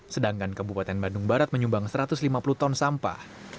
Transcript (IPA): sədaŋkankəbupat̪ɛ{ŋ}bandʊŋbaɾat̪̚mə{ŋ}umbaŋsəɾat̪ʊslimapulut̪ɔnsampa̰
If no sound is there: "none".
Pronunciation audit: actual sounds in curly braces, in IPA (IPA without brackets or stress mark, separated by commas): n, ɲ